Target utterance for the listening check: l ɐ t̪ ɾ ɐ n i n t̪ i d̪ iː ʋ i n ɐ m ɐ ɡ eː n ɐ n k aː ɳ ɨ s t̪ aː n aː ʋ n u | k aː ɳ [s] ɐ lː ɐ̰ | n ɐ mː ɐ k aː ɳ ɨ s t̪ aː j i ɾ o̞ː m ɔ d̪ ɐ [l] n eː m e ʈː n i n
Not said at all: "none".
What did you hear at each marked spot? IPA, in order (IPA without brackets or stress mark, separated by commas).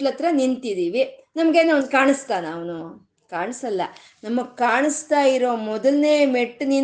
s, l